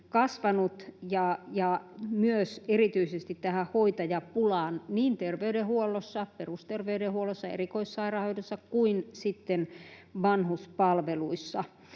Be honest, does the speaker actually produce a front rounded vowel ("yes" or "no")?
yes